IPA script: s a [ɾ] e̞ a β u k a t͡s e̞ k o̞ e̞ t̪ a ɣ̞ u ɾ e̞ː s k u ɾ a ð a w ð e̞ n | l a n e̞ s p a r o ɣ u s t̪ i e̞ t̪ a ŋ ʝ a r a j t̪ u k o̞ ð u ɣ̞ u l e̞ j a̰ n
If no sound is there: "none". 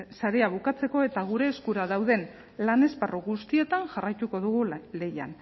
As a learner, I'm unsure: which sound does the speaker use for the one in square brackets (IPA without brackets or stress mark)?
ɾ